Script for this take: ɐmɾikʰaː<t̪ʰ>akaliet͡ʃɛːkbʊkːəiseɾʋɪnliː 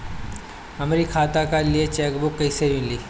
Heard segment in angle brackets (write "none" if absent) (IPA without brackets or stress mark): t̪